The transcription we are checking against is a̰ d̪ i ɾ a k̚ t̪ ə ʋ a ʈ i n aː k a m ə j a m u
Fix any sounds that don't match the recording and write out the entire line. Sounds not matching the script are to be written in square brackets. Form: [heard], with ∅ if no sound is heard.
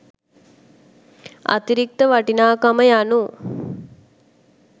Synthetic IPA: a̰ [t̪] i ɾ [i] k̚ t̪ ə ʋ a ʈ i n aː k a m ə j a [n] u